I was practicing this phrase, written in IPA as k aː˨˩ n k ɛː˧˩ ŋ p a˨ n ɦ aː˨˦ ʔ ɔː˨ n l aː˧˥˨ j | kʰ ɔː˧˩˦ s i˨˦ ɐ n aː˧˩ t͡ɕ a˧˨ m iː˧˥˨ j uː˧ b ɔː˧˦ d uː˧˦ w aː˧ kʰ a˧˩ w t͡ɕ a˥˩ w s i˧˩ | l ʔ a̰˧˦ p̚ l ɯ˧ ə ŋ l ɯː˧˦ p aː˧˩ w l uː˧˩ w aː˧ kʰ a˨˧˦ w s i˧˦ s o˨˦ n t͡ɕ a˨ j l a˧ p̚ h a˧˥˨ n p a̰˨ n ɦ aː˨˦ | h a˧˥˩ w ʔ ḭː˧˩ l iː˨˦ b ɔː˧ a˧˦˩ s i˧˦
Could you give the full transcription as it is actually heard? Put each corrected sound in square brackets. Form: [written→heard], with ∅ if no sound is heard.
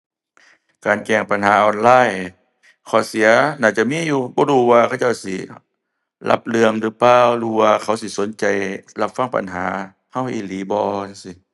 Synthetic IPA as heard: k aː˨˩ n k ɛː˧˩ ŋ p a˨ n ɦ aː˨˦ ʔ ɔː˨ n l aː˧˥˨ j | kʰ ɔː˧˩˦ s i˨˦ ɐ n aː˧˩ t͡ɕ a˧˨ m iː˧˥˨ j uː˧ b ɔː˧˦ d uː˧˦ w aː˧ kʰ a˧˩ w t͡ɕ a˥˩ w s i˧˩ | l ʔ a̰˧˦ p̚ l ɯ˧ ə ŋ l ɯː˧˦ p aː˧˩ w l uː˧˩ w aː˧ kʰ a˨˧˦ w s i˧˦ s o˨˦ n t͡ɕ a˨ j l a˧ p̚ [h→f] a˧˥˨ [n→ŋ] p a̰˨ n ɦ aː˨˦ | h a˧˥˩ w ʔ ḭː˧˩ l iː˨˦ b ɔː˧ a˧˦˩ s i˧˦